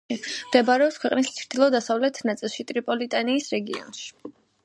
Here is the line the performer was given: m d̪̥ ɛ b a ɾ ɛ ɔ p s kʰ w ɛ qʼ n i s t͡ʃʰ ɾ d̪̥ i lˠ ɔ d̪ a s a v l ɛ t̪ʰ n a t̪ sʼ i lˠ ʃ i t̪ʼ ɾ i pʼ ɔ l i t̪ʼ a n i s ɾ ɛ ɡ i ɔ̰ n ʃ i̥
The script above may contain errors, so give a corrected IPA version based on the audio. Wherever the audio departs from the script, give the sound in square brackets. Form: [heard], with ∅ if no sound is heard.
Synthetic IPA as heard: m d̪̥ ɛ b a ɾ ɛ ɔ p s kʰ w ɛ qʼ n i s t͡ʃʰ ɾ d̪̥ i lˠ ɔ d̪ a s a v l ɛ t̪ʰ n a t̪ sʼ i lˠ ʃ i t̪ʼ ɾ i pʼ ɔ l i t̪ʼ a n [iː] s ɾ ɛ ɡ i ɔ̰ n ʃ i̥